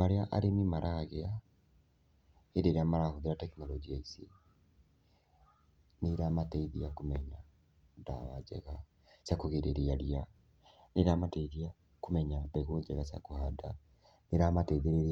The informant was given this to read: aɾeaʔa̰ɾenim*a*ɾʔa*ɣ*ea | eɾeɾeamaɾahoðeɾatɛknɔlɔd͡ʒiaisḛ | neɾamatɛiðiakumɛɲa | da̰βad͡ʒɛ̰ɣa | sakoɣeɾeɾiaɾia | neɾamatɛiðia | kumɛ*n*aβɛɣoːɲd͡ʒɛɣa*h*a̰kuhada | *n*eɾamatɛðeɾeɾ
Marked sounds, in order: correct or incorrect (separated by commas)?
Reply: correct, correct, incorrect, incorrect, correct